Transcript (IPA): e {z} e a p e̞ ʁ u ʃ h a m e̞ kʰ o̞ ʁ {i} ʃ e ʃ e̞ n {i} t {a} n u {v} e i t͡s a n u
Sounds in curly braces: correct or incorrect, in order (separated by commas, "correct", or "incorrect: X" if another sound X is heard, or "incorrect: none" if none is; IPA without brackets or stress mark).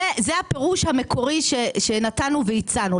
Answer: correct, correct, incorrect: a, correct, correct